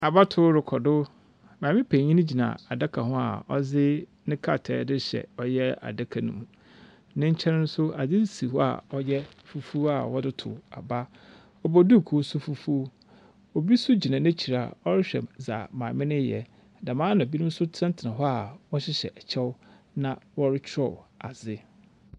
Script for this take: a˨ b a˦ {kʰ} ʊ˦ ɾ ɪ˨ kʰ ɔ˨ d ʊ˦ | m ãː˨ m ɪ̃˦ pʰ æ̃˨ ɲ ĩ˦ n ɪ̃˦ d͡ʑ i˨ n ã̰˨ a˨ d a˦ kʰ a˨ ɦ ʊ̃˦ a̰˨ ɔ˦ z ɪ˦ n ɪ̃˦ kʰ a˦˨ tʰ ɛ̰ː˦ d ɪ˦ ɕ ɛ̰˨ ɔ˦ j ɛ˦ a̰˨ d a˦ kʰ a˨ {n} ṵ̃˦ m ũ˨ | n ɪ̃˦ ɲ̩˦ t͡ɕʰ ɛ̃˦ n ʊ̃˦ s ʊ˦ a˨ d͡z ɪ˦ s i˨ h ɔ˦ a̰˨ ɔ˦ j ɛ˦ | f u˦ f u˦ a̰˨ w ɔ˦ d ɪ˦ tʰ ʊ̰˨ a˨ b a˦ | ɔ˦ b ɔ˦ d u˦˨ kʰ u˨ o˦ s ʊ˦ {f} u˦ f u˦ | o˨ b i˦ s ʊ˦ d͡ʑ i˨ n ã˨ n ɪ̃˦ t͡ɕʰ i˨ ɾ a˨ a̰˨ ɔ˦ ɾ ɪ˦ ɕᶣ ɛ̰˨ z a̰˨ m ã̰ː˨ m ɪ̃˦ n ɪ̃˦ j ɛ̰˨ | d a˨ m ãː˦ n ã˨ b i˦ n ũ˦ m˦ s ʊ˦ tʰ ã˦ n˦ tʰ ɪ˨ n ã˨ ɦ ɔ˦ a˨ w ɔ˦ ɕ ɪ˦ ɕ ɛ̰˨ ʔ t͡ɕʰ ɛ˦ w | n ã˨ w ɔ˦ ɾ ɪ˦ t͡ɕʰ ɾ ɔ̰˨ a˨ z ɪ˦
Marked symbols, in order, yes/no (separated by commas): no, yes, yes